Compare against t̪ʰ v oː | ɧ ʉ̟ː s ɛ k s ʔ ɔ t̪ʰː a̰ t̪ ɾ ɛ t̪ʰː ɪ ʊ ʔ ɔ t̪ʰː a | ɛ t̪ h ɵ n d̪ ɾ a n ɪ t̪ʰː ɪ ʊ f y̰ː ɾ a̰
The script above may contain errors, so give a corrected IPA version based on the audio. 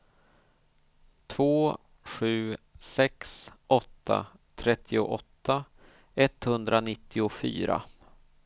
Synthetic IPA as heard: t̪ʰ v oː | ɧ ʉ̟ː s ɛ k s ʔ ɔ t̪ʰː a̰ t̪ʰ ɾ ɛ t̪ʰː ɪ ʊ ʔ ɔ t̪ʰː a | ɛ t̪ h ɵ n d̪ ɾ a n ɪ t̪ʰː ɪ ʊ f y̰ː ɾ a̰